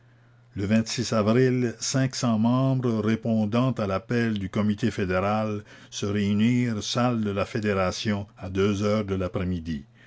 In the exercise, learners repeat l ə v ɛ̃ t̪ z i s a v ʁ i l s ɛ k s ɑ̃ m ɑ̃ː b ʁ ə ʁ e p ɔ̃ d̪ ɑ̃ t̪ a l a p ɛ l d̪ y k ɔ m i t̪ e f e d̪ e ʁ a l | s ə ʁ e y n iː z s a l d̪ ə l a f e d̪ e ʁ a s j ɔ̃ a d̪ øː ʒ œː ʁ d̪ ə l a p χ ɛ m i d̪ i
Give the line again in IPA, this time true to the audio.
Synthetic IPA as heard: l ə v ɛ̃ t̪ s i s a v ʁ i l s ɛ̃ k s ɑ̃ m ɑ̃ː b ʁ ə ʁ e p ɔ̃ d̪ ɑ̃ t̪ a l a p ɛ l d̪ y k ɔ m i t̪ e f e d̪ e ʁ a l | s ə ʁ e y n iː ʁ s a l d̪ ə l a f e d̪ e ʁ a s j ɔ̃ a d̪ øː z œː ʁ d̪ ə l a p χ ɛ m i d̪ i